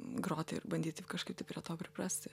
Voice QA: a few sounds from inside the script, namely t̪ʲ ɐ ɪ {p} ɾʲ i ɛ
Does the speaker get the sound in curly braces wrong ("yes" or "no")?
no